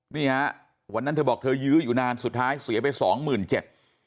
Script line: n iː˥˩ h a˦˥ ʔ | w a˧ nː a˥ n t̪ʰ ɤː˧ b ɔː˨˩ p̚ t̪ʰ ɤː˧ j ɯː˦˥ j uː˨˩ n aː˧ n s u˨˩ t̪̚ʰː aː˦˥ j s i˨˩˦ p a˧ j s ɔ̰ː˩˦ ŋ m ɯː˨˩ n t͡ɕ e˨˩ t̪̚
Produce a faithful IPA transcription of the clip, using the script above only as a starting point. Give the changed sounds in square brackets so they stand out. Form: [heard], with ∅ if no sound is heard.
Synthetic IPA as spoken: n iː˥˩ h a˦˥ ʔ | w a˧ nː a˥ n t̪ʰ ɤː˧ b ɔː˨˩ [k̚] t̪ʰ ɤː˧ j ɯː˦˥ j uː˨˩ n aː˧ n s u˨˩ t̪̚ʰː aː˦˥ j s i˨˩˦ p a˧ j s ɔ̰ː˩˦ ŋ m ɯː˨˩ n t͡ɕ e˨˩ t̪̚